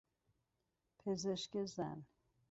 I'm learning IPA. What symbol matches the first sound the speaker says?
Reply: pʰ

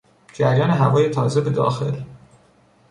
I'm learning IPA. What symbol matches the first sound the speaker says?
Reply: d͡ʒ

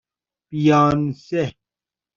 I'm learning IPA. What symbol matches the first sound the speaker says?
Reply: p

